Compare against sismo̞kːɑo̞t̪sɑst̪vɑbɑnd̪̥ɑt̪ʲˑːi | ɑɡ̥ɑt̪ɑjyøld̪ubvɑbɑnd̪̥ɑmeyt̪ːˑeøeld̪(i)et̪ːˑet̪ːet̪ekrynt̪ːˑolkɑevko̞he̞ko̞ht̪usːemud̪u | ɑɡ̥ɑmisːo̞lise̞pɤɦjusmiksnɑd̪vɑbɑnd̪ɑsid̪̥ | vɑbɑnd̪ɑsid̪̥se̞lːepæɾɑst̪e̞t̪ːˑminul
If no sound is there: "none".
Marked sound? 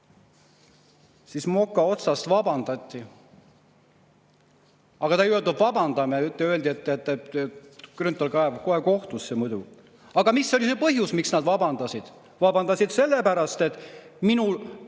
i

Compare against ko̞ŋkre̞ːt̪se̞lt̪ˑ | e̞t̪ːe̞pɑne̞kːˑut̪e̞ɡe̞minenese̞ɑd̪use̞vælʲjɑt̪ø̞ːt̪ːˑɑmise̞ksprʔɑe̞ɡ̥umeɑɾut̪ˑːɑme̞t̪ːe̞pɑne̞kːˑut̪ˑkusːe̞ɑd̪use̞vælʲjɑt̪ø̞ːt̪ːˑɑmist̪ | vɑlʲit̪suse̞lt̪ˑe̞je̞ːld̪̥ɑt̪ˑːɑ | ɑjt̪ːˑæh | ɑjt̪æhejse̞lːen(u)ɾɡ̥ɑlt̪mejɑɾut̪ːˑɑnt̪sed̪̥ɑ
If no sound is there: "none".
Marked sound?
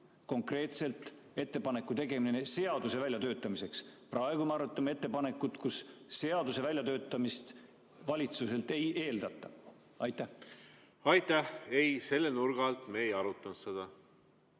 u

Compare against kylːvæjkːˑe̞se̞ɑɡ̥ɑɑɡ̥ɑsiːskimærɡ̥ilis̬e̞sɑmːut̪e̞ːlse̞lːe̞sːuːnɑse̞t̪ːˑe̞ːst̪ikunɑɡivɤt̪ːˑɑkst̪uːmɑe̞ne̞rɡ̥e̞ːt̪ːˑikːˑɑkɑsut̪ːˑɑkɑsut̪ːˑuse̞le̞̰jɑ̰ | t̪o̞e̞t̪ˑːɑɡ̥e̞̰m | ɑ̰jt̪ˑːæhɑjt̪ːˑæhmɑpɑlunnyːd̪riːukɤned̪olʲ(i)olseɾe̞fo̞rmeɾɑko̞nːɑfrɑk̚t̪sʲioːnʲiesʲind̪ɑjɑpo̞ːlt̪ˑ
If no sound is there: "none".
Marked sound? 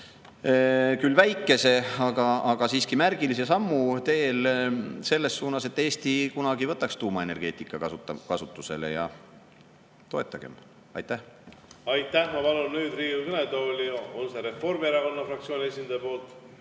i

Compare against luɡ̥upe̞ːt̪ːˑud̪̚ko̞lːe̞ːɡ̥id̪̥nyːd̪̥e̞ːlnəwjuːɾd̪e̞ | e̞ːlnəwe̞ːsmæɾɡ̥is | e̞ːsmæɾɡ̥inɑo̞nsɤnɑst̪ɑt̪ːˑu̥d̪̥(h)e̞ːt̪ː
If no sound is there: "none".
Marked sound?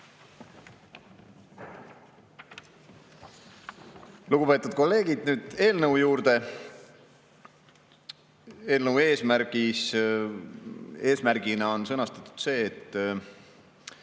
s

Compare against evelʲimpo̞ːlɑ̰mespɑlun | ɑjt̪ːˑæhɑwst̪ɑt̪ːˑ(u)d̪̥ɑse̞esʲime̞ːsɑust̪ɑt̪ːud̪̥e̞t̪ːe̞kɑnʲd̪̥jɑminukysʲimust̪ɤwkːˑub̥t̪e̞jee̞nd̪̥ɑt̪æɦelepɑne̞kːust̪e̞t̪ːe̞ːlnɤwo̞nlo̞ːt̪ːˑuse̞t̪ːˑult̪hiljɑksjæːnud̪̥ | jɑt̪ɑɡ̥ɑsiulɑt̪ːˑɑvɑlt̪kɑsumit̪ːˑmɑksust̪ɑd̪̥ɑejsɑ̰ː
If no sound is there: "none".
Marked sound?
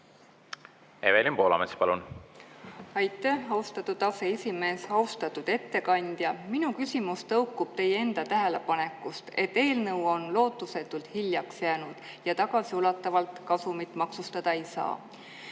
u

